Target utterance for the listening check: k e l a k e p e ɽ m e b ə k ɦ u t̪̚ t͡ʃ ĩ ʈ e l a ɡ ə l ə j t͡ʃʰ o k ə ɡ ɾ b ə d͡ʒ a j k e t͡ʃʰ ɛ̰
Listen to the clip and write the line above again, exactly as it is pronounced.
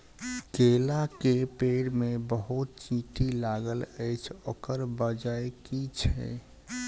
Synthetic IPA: k e l a k e p e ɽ m e b ə ɦ u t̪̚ t͡ʃ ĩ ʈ i l a ɡ ə l ə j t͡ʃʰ o k ə ɾ b ə d͡ʒ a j k i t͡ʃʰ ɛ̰

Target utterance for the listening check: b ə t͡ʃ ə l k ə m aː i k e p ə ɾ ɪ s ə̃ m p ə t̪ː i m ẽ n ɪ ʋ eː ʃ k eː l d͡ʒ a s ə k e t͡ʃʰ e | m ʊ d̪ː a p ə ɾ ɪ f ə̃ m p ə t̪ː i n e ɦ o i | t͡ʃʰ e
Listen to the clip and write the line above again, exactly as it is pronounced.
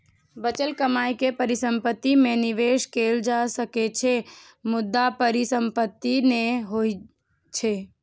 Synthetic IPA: b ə t͡ʃ ə l k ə m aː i k e p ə ɾ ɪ s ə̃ m p ə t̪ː i m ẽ n ɪ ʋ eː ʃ k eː l d͡ʒ a s ə k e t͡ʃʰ e | m ʊ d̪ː a p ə ɾ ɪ s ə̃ m p ə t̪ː i n e ɦ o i | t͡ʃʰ e

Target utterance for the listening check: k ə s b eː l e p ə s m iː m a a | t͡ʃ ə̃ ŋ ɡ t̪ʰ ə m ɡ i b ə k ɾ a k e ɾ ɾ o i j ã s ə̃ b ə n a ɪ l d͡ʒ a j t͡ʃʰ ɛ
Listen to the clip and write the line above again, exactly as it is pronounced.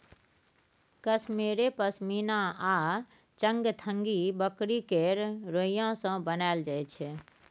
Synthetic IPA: k ə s m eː ɾ e p ə s m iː n a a | t͡ʃ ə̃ ŋ ɡ t̪ʰ ə ŋ ɡ i b ə k ɾ i k e ɾ ɾ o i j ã s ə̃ b ə n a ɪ l d͡ʒ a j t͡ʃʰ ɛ

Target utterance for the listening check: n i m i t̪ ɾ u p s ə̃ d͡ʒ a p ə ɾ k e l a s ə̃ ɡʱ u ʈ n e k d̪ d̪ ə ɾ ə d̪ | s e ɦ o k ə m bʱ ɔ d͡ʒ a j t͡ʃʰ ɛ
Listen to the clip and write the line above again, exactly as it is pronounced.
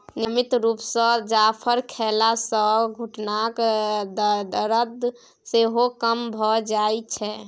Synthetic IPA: n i m i t̪ ɾ u p s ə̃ d͡ʒ a pʰ ə ɾ kʰ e l a s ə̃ ɡʱ u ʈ n a k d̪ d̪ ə ɾ ə d̪ | s e ɦ o k ə m bʱ ɔ d͡ʒ a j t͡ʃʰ ɛ

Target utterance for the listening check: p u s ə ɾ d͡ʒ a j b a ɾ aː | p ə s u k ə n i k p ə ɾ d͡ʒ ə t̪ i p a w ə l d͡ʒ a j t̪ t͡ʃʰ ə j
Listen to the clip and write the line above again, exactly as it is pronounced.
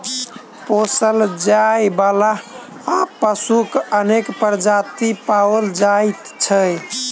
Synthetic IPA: p o s ə l d͡ʒ a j b a l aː | p ə s u k ə n e k p ə ɾ d͡ʒ a t̪ i p a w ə l d͡ʒ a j t̪ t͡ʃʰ ə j

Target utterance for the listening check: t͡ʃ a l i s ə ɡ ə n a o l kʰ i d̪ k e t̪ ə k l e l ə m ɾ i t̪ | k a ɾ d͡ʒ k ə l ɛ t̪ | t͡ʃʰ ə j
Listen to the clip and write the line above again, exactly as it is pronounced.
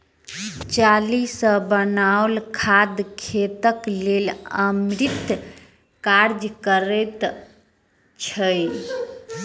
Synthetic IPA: t͡ʃ a l i s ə b ə n a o l kʰ a d̪ kʰ e t̪ ə k l e l ə m ɾ i t̪ | k a ɾ d͡ʒ k ə ɾ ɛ t̪ | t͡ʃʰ ə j

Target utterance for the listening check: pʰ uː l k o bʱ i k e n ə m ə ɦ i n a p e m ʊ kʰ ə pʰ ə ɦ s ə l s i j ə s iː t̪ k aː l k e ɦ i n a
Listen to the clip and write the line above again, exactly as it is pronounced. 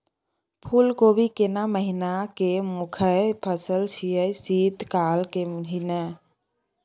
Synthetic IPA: pʰ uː l k o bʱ i k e n a m ə ɦ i n a k e m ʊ kʰ ə pʰ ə s ə l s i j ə s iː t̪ k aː l k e ɦ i n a

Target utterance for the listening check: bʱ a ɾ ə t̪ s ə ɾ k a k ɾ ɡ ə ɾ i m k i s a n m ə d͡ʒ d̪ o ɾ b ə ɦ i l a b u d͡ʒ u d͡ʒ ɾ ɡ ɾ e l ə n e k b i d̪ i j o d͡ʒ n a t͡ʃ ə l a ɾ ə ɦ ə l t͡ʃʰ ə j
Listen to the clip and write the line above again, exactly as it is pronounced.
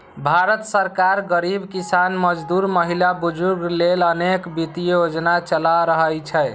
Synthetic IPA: bʱ a ɾ ə t̪ s ə ɾ k a ɾ ɡ ə ɾ i b k i s a n m ə d͡ʒ d̪ u ɾ m ə ɦ i l a b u d͡ʒ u ɾ ɡ l e l ə n e k b i t̪ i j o d͡ʒ n a t͡ʃ ə l a ɾ ə ɦ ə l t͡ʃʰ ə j

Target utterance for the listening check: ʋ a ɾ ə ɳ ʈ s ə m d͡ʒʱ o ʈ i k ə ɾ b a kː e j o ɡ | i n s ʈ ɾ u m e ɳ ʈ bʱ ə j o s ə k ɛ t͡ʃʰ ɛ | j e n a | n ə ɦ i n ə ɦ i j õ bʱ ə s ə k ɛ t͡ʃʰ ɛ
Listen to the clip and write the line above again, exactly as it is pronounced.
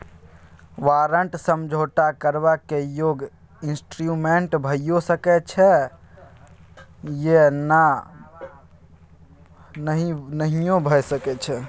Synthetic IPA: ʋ a ɾ ə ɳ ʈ s ə m d͡ʒʱ o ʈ a k ə ɾ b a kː e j o ɡ | i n s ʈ ɾ u m e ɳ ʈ bʱ ə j o s ə k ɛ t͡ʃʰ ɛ | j e n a | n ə ɦ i n ə ɦ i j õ bʱ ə s ə k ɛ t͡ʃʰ ɛ

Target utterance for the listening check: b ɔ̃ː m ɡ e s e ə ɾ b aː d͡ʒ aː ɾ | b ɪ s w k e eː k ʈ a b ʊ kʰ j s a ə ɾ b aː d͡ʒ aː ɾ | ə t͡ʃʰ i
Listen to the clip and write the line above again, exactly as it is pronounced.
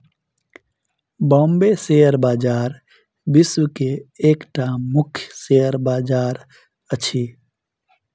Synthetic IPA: b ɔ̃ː m b e s e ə ɾ b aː d͡ʒ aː ɾ | b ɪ s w k e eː k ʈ a m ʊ kʰ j s e ə ɾ b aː d͡ʒ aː ɾ | ə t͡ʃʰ i

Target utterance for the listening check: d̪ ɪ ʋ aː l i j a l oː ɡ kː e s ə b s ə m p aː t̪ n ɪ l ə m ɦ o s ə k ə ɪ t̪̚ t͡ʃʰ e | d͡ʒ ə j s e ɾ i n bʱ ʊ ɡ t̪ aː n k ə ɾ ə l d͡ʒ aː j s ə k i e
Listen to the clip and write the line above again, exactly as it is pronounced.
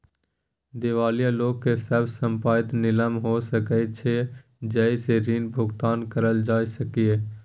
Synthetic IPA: d̪ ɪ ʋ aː l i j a l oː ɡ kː e s ə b s ə m p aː t̪ n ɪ l ə m ɦ o s ə k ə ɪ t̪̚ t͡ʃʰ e | d͡ʒ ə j s e ɾ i n bʱ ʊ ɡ t̪ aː n k ə ɾ ə l d͡ʒ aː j s ə k i e

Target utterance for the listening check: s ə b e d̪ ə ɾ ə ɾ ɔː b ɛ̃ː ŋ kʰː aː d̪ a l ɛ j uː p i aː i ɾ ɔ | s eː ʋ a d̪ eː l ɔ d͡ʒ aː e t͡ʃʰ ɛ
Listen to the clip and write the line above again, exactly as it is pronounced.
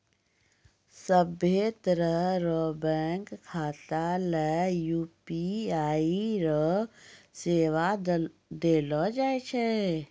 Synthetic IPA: s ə b e t̪ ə ɾ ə ɾ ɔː b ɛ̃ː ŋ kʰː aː t̪ a l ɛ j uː p i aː i ɾ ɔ | s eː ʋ a d̪ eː l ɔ d͡ʒ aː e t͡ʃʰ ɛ

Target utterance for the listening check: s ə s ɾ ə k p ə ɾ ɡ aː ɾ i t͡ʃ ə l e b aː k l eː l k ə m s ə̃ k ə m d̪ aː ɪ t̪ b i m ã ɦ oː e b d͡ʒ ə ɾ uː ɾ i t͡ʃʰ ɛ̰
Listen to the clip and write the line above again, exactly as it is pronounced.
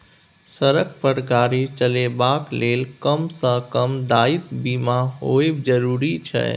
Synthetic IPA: s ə ɾ ə k p ə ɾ ɡ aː ɾ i t͡ʃ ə l e b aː k l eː l k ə m s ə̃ k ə m d̪ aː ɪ t̪ b i m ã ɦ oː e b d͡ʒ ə ɾ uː ɾ i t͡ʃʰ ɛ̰

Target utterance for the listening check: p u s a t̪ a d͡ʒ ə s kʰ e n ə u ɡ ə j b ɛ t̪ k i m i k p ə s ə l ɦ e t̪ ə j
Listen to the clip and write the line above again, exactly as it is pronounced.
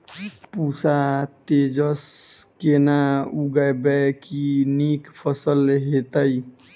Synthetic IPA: p u s a t̪ e d͡ʒ ə s k e n a u ɡ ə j b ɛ k i n i k pʰ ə s ə l ɦ e t̪ ə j

